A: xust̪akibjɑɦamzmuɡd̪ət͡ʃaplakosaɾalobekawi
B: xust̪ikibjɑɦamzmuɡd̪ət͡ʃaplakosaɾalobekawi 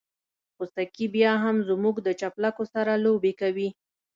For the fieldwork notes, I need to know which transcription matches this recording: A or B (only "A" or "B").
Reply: A